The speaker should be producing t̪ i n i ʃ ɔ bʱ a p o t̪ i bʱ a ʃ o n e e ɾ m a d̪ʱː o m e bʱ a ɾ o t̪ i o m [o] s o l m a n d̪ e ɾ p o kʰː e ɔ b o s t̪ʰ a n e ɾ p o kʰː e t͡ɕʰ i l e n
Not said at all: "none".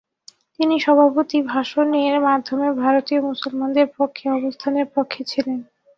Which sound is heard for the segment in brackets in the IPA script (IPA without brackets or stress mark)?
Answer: u